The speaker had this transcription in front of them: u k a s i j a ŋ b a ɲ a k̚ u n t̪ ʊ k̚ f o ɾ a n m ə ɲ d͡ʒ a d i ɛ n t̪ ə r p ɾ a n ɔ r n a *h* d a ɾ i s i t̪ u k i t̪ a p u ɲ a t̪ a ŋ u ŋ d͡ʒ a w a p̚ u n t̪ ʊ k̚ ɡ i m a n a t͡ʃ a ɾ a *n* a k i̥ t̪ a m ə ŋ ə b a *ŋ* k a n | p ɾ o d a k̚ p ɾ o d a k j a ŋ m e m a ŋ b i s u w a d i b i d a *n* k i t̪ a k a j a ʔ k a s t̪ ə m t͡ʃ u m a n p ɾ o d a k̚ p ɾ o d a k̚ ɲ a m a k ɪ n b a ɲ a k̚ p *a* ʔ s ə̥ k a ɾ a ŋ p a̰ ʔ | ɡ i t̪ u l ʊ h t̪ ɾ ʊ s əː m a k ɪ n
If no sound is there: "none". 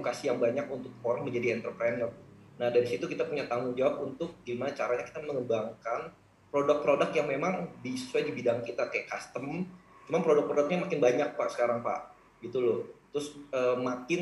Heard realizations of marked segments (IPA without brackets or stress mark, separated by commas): h, ɲ, ŋ, ŋ, a